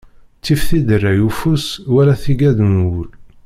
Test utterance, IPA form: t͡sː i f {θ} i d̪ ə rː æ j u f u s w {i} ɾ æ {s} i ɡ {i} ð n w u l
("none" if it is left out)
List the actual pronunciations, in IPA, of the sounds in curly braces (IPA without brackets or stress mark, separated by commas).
θ, æ, θ, æ